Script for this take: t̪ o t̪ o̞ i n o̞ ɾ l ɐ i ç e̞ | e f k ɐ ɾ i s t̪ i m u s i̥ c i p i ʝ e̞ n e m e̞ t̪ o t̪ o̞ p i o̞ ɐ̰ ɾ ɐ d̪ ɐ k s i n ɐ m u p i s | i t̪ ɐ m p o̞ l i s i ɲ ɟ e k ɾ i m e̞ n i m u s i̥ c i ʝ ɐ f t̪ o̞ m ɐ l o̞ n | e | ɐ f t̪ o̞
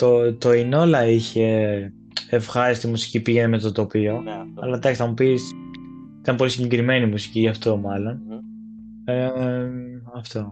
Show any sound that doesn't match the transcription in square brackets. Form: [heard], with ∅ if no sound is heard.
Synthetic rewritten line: t̪ o t̪ o̞ i n o̞ [∅] l ɐ i ç e̞ | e f [x] ɐ ɾ i s t̪ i m u s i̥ c i p i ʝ e̞ n e m e̞ t̪ o t̪ o̞ p i o̞ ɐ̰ [l] ɐ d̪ ɐ k s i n ɐ m u p i s | i t̪ ɐ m p o̞ l i s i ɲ ɟ e k ɾ i m e̞ n i m u s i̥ c i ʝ ɐ f t̪ o̞ m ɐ l o̞ n | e | ɐ f t̪ o̞